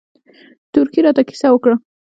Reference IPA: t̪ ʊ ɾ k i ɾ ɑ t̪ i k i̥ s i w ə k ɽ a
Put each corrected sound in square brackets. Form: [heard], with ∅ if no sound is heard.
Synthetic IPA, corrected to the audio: t̪ ʊ ɾ k i ɾ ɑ t̪ [a] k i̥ s [a] w ə k ɽ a